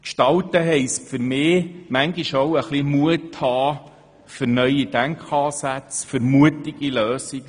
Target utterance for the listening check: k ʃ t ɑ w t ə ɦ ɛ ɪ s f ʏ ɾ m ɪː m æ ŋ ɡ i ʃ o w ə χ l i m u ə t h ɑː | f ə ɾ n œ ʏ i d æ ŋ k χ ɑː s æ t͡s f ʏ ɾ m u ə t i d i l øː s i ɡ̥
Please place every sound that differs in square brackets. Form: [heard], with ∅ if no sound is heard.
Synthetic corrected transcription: k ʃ t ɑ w t ə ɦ ɛ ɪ s f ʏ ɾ m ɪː m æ ŋ ɡ i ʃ o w ə χ l i m u ə t h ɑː | f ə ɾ n œ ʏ i d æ ŋ k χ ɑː s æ t͡s f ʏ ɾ m u ə t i [ɡ] i l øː s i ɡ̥